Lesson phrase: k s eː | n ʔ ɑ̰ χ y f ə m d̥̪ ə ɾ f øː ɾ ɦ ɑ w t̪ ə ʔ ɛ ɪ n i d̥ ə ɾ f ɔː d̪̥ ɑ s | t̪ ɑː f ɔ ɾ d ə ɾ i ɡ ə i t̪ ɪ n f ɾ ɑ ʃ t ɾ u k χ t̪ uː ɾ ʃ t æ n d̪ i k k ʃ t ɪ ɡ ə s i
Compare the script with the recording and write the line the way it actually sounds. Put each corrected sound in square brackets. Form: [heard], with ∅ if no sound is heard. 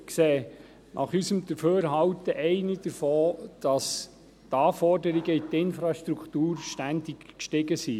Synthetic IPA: k s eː | n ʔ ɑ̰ χ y [s] ə m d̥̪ ə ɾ f øː ɾ ɦ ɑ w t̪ ə ʔ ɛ ɪ n i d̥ ə ɾ f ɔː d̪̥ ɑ s | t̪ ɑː f ɔ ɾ d ə ɾ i ɡ ə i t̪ ɪ n f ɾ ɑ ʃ t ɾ u k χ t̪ uː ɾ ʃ t æ n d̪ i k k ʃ t ɪ ɡ ə s i

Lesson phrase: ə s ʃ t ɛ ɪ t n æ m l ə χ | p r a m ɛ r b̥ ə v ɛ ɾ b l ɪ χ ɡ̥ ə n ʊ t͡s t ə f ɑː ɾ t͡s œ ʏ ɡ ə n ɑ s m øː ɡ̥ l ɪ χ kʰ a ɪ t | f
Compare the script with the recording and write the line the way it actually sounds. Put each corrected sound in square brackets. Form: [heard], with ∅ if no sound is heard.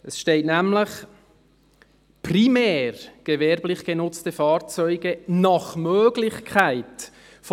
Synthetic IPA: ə s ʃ t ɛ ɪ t n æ m l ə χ | p r [i] m [ɛː] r [ɡ̥] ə v ɛ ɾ b l ɪ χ ɡ̥ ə n ʊ t͡s t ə f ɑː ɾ t͡s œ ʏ ɡ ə n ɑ [χ] m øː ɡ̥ l ɪ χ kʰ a ɪ t | f

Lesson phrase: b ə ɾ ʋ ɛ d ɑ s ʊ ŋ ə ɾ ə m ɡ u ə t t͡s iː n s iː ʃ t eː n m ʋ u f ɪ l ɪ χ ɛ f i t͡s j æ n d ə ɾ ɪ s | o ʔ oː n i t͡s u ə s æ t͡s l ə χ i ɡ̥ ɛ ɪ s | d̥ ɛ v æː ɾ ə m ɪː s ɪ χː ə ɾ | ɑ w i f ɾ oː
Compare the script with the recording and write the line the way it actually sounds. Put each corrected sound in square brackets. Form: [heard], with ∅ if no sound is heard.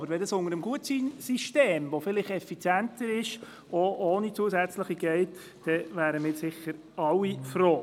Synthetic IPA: b ə ɾ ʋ ɛ d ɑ s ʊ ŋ ə ɾ ə m ɡ u ə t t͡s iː n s [i] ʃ t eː [∅] m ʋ [o] f ɪ l ɪ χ ɛ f i t͡s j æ n [t] ə ɾ ɪ [ʃ] | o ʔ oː n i t͡s u ə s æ t͡s l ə χ i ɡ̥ ɛ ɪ [t] | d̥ ɛ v æː ɾ ə m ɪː s ɪ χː ə ɾ | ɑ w i f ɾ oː

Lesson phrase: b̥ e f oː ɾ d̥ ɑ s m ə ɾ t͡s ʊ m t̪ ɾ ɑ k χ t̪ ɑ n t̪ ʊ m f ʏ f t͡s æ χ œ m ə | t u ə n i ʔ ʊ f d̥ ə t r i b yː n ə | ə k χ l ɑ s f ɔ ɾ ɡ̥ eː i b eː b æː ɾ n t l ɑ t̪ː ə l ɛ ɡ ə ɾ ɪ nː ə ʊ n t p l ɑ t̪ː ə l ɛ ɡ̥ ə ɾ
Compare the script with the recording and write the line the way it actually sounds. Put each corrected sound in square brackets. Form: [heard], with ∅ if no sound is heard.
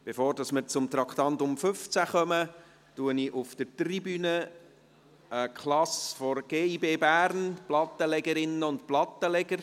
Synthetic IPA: b̥ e f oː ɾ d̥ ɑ s m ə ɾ t͡s ʊ m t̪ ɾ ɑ k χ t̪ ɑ n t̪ ʊ m f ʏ f t͡s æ χ œ m ə | t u ə n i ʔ ʊ f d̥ ə t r i b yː n ə | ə k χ l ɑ s f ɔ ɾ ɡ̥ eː i b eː b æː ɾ n [p] l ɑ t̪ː ə l ɛ ɡ ə ɾ ɪ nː ə ʊ n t p l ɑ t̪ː ə l ɛ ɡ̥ ə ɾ

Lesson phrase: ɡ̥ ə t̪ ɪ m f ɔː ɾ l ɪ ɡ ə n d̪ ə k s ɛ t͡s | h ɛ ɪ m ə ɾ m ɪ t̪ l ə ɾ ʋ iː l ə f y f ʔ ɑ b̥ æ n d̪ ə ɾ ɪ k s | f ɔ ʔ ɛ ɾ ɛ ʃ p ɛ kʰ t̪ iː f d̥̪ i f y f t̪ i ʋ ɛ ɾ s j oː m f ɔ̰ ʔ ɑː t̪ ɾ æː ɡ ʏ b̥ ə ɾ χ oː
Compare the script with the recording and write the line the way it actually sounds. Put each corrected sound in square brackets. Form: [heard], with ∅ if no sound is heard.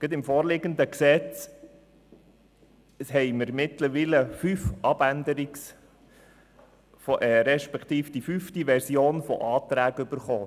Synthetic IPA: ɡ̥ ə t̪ ɪ m f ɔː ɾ l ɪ ɡ ə n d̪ ə k s ɛ t͡s | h ɛ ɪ m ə ɾ m ɪ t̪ l ə ɾ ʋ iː l ə f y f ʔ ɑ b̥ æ n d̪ ə ɾ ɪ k s | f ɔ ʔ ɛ ɾ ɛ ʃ p ɛ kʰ t̪ iː f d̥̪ i f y f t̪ i ʋ ɛ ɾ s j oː [n] f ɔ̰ ʔ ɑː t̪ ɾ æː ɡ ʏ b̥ ə ɾ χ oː

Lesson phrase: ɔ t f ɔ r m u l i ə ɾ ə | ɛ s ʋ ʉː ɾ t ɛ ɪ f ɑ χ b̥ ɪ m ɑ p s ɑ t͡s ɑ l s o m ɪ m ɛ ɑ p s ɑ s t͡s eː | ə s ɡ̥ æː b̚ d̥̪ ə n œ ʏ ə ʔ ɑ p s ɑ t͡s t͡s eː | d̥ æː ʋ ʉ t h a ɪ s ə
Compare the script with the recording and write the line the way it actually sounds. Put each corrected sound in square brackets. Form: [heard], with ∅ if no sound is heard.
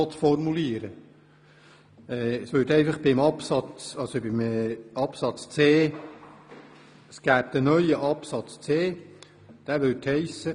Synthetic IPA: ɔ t f ɔ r m u l i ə ɾ ə | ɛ s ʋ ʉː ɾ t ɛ ɪ f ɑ χ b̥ ɪ m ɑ p s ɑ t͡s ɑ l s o [b] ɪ m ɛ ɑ p s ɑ [t͡s] t͡s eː | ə s ɡ̥ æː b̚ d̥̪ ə n œ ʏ ə ʔ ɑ p s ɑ t͡s t͡s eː | d̥ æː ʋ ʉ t h [ɛ] ɪ s ə

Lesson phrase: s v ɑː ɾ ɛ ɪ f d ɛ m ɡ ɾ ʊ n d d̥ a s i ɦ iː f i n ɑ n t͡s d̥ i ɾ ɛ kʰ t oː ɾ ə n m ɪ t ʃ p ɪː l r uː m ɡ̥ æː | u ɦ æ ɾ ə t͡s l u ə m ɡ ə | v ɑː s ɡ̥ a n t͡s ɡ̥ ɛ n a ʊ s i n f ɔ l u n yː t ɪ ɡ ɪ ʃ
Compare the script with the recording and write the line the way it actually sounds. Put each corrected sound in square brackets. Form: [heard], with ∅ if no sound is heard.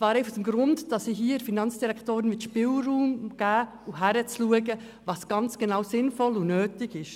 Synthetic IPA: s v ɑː ɾ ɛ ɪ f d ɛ m ɡ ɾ ʊ n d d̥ [ɑ] s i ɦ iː f i n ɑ n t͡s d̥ i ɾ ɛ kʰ t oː ɾ ə n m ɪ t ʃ p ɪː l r uː m ɡ̥ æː | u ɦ æ ɾ ə t͡s l u ə [∅] ɡ ə | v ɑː s ɡ̥ [ɑ] n t͡s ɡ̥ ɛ n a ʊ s [ɪ] n f ɔ l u n [øː] t ɪ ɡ ɪ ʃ

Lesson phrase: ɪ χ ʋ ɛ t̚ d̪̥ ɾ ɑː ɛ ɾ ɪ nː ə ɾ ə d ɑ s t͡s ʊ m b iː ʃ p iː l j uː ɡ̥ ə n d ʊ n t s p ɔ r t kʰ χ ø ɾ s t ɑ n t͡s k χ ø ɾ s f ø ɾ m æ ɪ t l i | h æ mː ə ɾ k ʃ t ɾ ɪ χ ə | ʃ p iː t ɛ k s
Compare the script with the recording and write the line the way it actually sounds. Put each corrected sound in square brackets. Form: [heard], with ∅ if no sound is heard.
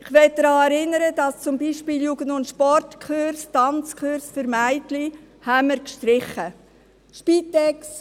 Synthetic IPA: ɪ χ ʋ ɛ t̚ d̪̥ ɾ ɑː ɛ ɾ ɪ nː ə ɾ ə d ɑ s t͡s ʊ m b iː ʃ p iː l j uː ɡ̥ ə n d ʊ n t [ʃ] p ɔ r t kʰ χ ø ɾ s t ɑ n t͡s k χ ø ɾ s f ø ɾ m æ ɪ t l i | h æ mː ə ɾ k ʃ t ɾ ɪ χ ə | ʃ p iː t ɛ k s

